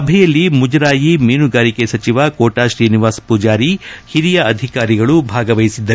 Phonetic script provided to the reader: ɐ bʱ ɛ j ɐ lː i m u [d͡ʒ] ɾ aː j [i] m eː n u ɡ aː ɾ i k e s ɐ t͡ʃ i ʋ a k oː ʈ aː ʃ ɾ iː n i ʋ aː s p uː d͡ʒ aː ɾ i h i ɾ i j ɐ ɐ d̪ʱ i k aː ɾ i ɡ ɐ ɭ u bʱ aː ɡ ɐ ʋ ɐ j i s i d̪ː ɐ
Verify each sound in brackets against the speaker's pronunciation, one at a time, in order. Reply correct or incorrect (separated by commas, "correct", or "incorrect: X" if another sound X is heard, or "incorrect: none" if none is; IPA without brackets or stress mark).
correct, correct